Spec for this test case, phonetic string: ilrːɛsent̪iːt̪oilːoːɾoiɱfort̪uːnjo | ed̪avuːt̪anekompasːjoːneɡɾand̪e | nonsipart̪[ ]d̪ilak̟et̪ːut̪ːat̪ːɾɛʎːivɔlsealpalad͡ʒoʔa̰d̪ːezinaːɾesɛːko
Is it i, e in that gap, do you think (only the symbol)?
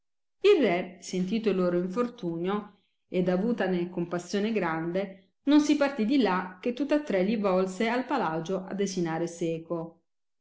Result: i